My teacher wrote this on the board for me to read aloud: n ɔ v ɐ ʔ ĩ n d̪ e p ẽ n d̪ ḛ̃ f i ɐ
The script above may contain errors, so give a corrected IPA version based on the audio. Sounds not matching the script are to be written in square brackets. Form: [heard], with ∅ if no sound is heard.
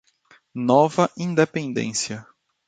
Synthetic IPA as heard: n ɔ v ɐ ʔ ĩ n d̪ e p ẽ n d̪ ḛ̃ [s] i ɐ